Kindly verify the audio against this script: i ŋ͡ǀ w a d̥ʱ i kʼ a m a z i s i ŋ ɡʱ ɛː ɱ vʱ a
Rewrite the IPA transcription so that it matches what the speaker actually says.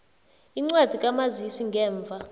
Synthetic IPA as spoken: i ŋ͡ǀ w a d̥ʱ i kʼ a m a z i s i ŋ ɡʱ ɛː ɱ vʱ a